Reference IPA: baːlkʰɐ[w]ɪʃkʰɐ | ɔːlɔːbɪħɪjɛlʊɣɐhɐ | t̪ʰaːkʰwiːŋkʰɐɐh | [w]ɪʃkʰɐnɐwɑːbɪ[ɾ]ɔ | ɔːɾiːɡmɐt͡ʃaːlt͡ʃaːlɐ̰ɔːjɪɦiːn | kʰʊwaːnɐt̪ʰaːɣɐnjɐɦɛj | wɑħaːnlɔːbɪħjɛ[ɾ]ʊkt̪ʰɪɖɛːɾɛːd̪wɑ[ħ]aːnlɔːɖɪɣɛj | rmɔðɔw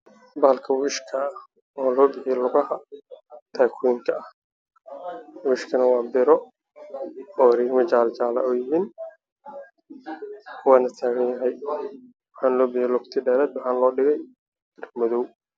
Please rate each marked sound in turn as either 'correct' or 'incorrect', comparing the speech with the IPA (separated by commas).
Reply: correct, correct, correct, incorrect, correct